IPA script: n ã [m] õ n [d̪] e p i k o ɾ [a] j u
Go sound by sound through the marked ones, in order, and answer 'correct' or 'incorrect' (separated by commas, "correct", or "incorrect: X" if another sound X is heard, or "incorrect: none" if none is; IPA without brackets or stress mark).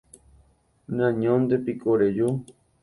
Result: incorrect: ɲ, correct, incorrect: e